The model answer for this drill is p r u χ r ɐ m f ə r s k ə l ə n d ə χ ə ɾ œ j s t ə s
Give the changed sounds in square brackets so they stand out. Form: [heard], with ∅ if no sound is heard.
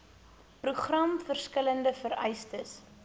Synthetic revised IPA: p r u χ r ɐ m f ə r s k ə l ə n d ə [f] ə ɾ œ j s t ə s

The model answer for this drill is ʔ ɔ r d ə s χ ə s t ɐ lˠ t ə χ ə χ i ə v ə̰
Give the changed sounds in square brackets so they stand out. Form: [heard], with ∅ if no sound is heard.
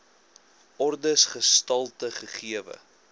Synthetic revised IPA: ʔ ɔ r d ə s χ ə s t ɐ lˠ t ə χ ə χ i ə v ə̰

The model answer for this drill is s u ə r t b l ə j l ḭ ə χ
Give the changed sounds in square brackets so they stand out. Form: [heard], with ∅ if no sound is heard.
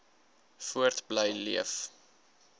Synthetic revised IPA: [f] u ə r t b l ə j l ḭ ə [f]

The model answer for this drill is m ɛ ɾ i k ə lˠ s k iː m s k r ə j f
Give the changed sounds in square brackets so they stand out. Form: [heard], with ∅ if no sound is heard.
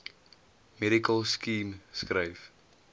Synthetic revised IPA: m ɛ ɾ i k ə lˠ s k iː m s k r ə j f

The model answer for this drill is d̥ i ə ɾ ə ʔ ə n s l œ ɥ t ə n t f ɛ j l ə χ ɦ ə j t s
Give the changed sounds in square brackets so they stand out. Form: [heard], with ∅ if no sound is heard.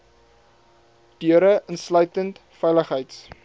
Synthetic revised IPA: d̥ [y] ə ɾ ə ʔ ə n s l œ ɥ t ə n t f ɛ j l ə χ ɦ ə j t s

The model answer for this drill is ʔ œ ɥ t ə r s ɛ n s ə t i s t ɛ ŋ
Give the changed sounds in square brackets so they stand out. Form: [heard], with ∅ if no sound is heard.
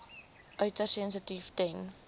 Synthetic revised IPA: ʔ œ ɥ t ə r s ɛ n s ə t i [f] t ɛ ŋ

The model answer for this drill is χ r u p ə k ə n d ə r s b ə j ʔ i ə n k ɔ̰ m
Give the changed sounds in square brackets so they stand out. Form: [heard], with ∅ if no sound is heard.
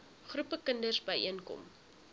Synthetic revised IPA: χ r u p ə k ə n d ə r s b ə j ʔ i ə n k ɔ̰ m

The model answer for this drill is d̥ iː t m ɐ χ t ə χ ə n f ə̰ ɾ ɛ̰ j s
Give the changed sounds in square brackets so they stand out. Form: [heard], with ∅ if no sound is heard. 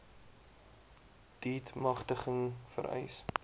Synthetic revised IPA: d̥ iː t m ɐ χ t ə χ ə [ŋ] f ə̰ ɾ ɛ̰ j s

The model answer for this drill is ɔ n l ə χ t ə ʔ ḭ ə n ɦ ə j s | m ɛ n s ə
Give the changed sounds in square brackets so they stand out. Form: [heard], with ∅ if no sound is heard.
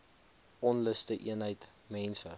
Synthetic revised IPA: ɔ n l ə [s] t ə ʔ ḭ ə n ɦ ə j [t] | m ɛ n s ə

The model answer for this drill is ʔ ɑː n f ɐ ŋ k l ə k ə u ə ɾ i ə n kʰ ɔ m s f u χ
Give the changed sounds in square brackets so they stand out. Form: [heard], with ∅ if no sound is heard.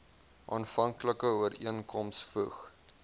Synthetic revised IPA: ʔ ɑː n f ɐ ŋ k l ə k ə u ə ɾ i ə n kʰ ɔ m s f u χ

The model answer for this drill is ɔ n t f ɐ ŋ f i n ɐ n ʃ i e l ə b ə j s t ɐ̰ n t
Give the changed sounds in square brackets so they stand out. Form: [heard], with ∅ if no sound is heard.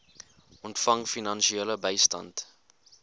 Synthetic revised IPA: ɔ n t f ɐ ŋ f i n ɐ n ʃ i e l ə b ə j s t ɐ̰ n t

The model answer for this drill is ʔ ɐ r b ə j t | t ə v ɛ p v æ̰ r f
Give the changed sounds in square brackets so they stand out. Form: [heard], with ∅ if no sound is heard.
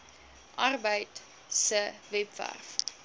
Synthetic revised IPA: ʔ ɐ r b ə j t | [s] ə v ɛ p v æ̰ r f

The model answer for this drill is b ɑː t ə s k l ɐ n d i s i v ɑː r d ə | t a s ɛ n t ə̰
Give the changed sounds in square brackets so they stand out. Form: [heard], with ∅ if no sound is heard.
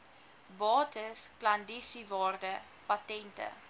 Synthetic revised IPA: b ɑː t ə s k l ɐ n d i s i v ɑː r d ə | [p] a [t] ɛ n t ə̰

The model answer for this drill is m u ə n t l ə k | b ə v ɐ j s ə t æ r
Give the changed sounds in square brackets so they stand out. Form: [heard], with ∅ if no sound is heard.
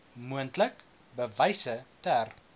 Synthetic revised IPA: m u ə n t l ə k | b ə v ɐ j s ə t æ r

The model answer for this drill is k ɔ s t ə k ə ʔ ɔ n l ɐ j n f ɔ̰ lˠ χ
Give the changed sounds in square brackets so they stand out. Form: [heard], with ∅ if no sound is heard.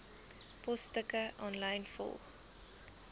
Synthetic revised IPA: [p] ɔ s t ə k ə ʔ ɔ n l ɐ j n f ɔ̰ lˠ χ

